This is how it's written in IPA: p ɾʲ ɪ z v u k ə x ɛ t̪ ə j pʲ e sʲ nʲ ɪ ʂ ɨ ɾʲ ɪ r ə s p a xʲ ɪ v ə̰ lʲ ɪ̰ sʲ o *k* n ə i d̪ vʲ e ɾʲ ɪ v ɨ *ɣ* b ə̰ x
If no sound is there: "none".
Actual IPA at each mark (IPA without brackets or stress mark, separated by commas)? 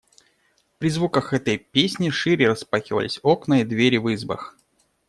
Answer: k, z